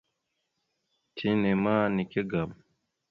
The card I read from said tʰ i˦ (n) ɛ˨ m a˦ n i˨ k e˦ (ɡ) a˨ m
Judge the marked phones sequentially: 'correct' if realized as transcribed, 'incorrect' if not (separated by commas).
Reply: correct, correct